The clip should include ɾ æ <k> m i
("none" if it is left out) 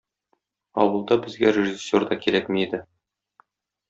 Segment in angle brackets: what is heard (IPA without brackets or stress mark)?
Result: k